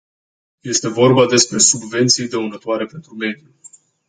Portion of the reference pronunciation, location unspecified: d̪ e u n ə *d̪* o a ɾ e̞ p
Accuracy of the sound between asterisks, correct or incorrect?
incorrect: t̪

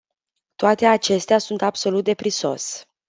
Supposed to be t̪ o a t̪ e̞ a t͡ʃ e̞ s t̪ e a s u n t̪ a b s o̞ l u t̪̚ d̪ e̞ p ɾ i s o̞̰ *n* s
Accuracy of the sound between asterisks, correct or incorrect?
incorrect: none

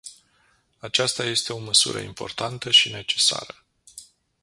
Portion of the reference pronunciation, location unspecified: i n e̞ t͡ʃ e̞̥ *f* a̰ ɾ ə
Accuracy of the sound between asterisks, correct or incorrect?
incorrect: s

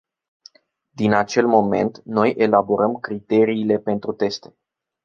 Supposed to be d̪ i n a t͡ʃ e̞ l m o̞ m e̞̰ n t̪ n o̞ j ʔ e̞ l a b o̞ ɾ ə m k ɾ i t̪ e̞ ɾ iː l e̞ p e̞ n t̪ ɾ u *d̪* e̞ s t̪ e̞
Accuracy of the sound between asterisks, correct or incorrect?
incorrect: t̪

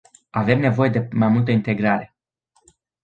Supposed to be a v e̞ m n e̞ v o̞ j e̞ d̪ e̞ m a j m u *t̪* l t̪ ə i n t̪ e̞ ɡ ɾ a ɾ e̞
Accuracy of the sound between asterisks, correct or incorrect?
incorrect: none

